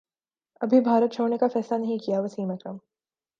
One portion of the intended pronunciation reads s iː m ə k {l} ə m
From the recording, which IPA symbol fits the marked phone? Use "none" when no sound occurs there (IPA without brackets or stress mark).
ɾ